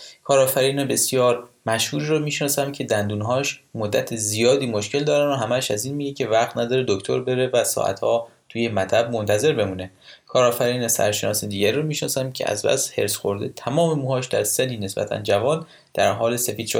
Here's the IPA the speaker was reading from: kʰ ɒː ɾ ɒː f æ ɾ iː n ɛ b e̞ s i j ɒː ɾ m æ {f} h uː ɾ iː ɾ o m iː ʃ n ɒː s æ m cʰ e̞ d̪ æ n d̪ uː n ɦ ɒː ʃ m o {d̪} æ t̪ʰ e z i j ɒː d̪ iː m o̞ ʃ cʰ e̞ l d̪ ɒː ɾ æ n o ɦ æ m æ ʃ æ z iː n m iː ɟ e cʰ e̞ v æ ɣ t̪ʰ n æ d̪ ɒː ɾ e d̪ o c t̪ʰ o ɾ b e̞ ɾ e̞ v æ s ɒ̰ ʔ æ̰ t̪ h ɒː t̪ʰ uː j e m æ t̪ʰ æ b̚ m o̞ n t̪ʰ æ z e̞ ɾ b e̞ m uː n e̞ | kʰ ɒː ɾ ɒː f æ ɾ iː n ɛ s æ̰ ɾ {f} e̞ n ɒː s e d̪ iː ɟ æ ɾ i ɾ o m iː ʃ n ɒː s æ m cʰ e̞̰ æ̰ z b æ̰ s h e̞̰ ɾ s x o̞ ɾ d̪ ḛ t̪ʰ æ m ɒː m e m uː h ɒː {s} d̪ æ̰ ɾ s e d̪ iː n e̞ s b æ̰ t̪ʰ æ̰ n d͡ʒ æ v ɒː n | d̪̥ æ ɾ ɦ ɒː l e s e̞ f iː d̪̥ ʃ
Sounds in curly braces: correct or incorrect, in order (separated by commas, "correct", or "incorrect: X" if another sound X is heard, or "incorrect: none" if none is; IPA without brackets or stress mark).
incorrect: ʃ, incorrect: d̪ː, incorrect: ʃ, incorrect: ʃ